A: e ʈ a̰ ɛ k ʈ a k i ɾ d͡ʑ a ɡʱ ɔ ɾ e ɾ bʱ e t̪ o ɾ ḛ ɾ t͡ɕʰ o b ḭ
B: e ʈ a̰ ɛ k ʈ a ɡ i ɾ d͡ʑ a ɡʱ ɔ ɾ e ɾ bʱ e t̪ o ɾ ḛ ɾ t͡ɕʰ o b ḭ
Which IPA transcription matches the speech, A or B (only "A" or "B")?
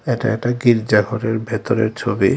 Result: B